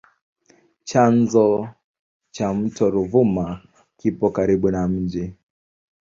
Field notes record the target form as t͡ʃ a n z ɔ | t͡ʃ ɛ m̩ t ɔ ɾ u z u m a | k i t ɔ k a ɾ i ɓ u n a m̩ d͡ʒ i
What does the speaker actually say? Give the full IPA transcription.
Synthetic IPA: t͡ʃ a n z ɔ | t͡ʃ a m̩ t ɔ ɾ u v u m a | k i p ɔ k a ɾ i ɓ u n a m̩ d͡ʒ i

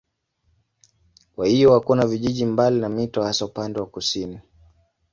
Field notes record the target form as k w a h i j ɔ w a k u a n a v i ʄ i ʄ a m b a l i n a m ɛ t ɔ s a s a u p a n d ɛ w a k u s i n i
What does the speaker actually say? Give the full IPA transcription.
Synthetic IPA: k w a h i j ɔ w a k u a n a v i ʄ i ʄ i m b a l i n a m i t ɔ h a s a u p a n d ɛ w a k u s i n i

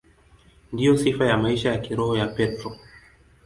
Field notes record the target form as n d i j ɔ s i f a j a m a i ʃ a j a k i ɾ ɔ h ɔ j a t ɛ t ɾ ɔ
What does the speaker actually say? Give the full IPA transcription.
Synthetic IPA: n d i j ɔ s i f a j a m a i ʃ a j a k i ɾ ɔ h ɔ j a p ɛ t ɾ ɔ

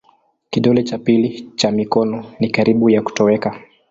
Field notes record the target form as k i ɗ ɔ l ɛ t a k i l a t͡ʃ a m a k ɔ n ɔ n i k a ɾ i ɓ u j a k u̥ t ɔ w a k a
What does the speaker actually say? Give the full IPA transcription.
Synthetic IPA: k i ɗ ɔ l ɛ t͡ʃ a p i l i t͡ʃ a m i k ɔ n ɔ n i k a ɾ i ɓ u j a k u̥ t ɔ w ɛ k a

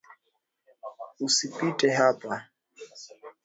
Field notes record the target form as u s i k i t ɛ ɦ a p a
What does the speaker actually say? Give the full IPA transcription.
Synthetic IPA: u s i p i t ɛ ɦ a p a

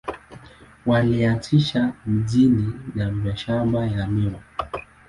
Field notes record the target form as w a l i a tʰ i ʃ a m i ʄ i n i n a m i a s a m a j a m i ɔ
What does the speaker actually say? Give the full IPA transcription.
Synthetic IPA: w a l i a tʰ i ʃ a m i ʄ i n i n a m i a ʃ a m a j a m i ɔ

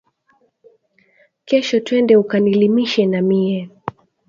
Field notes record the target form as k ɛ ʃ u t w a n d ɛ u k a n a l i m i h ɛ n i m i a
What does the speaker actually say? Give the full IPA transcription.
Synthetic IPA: k ɛ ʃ ɔ t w ɛ n d ɛ u k a n i l i m i ʃ ɛ n a m i ɛ

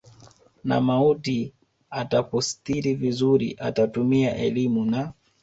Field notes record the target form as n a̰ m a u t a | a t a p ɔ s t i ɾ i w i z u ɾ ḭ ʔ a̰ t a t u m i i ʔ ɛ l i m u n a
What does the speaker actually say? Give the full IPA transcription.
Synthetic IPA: n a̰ m a u t i | a t a p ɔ s t i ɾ i v i z u ɾ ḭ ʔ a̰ t a t u m i a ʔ ɛ l i m u n a

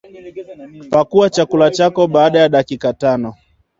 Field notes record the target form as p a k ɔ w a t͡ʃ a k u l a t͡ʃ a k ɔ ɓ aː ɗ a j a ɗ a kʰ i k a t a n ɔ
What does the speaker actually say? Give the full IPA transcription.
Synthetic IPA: p a k u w a t͡ʃ a k u l a t͡ʃ a k ɔ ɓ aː ɗ a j a ɗ a k i k a t a n ɔ

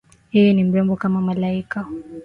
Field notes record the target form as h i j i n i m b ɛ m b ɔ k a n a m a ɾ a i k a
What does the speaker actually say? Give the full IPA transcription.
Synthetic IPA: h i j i n i m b ɛ m b ɔ k a m a m a l a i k a

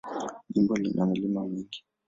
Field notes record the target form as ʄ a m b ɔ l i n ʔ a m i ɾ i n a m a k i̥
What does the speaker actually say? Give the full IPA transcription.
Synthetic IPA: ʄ i m b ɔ l i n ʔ a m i l i m a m i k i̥

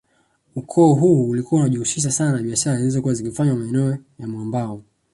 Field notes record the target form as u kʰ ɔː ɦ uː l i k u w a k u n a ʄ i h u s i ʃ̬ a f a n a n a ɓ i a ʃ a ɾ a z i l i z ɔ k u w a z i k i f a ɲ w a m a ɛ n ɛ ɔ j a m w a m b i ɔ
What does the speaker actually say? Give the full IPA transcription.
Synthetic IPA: u kʰ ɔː ɦ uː l i k u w a u n a ʄ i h u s i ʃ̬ a s a n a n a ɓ i a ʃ a ɾ a z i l i z ɔ k u w a z i k i f a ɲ w a m a ɛ n ɛ ɔ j a m w a m b a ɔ

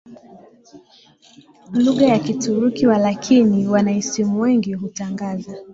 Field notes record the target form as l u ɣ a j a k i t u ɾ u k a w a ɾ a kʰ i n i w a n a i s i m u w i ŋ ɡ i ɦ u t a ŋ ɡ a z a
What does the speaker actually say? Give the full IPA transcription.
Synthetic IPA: l u ɣ a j a k i t u ɾ u k i w a l a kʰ i n i w a n a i s i m u w ɛ ŋ ɡ i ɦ u t a ŋ ɡ a z a

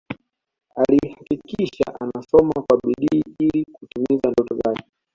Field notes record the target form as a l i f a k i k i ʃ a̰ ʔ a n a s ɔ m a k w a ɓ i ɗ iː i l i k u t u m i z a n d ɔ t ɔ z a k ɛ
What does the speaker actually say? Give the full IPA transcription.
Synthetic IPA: a l i h a k i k i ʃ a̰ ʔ a n a s ɔ m a k w a ɓ i ɗ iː i l i k u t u m i z a n d ɔ t ɔ z a k ɛ

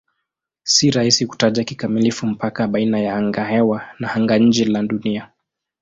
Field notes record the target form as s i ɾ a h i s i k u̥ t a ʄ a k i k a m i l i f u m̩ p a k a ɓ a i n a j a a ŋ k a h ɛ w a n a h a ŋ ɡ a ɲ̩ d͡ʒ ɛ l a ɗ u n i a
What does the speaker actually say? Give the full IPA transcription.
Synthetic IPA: s i ɾ a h i s i k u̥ t a ʄ a k i k a m i l i f u m̩ p a k a ɓ a i n a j a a ŋ ɡ a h ɛ w a n a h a ŋ ɡ a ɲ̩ d͡ʒ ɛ l a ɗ u n i a

